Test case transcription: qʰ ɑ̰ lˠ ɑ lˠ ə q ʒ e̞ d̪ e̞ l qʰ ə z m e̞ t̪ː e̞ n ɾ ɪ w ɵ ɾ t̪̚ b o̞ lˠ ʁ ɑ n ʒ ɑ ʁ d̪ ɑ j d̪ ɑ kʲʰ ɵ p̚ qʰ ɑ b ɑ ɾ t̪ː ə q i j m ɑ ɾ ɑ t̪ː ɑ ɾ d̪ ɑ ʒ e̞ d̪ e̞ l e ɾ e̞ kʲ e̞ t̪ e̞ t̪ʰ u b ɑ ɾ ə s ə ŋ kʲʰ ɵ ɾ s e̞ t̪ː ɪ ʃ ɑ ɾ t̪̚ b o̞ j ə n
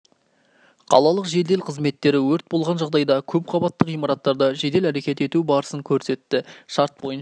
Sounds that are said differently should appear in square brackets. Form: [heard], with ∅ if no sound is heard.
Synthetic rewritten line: qʰ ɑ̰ lˠ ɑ lˠ ə q ʒ e̞ d̪ e̞ l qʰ ə z m e̞ t̪ː e̞ [∅] ɾ ɪ w ɵ ɾ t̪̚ b o̞ lˠ ʁ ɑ n ʒ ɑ ʁ d̪ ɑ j d̪ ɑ kʲʰ ɵ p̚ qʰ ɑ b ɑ [∅] t̪ː ə q i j m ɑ ɾ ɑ t̪ː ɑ ɾ d̪ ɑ ʒ e̞ d̪ e̞ l [æ] ɾ e̞ kʲ e̞ t̪ e̞ [t̪] u b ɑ ɾ ə s ə ŋ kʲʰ ɵ ɾ s e̞ t̪ː ɪ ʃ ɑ ɾ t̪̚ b o̞ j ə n